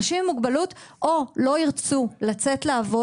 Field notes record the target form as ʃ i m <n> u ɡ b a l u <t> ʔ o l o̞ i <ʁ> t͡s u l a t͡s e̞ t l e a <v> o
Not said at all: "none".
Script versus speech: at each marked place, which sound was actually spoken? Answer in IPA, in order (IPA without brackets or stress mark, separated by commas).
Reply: m, t, ʁ, v